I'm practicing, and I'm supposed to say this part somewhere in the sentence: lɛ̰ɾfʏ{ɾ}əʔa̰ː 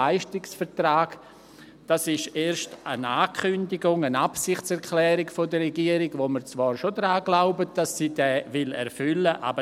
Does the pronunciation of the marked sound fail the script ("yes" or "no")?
yes